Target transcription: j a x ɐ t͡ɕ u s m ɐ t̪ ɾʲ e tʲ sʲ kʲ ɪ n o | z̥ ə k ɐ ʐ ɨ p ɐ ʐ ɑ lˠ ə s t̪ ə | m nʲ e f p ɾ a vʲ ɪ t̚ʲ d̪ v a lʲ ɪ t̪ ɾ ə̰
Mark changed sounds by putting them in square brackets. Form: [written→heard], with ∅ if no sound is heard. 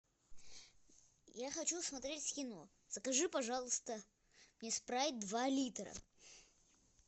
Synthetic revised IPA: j a x ɐ t͡ɕ u s m ɐ t̪ ɾʲ e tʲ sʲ kʲ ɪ n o | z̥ ə k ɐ ʐ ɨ p ɐ ʐ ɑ lˠ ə s t̪ ə | m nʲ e [f→s] p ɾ a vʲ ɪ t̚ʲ d̪ v a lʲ [ɪ→i] t̪ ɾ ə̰